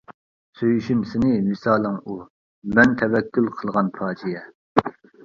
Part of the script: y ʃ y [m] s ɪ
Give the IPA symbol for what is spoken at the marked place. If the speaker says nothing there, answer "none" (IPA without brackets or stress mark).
m